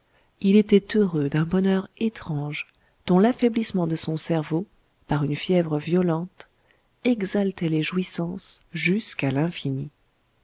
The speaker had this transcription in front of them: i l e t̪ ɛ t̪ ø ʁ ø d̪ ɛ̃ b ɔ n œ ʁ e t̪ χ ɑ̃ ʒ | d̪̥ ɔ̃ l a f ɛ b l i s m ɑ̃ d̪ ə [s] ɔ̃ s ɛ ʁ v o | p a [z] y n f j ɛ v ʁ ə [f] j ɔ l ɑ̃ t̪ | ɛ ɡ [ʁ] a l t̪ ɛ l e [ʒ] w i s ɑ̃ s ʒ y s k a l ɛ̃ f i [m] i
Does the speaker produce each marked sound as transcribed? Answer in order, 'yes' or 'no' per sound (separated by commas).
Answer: yes, no, no, no, yes, no